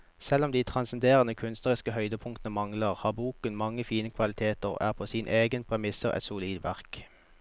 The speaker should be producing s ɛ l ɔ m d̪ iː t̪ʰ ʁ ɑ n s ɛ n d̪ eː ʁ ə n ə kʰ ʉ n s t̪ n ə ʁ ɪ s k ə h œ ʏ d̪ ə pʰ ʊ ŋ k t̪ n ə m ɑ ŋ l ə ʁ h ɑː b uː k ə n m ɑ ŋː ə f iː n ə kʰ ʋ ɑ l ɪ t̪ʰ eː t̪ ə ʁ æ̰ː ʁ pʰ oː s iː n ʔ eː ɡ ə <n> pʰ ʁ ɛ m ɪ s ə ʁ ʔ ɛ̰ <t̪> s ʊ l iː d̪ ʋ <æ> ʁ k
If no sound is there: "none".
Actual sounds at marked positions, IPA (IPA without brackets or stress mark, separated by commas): n, t̪, æ